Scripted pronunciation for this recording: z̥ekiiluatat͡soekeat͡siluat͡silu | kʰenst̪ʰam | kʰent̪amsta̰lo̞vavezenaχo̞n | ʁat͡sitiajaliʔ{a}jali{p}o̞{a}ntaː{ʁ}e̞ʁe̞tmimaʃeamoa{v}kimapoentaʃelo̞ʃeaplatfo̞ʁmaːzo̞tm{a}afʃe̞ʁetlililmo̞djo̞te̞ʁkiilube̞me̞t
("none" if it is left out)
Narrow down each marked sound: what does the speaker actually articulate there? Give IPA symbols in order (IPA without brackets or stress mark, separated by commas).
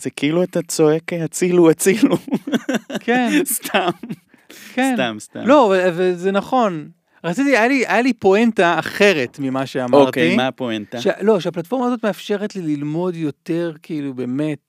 a, p, e, χ, ʁ, e